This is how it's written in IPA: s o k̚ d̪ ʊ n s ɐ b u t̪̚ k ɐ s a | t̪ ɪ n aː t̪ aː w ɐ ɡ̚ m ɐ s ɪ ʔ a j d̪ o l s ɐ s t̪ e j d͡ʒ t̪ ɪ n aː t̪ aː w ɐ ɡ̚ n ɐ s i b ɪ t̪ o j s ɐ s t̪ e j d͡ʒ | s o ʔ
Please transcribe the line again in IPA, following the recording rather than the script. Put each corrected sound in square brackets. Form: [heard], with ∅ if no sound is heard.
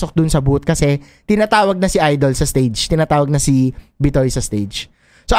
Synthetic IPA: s o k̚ d̪ ʊ n s ɐ b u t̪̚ k ɐ s [ɛ] | t̪ ɪ n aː t̪ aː w ɐ ɡ̚ [n] ɐ s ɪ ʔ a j d̪ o l s ɐ s t̪ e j d͡ʒ t̪ ɪ n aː t̪ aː w ɐ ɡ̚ n ɐ s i b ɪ t̪ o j s ɐ s t̪ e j d͡ʒ | s o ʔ